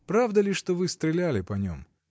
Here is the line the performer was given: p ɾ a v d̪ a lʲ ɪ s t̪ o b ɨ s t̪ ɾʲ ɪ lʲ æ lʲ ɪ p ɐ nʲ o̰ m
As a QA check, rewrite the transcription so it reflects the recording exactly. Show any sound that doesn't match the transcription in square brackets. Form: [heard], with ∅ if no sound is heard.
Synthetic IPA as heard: p ɾ a v d̪ [ə] lʲ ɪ [ʂ] t̪ o [v] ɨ s t̪ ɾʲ ɪ lʲ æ lʲ ɪ p ɐ nʲ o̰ m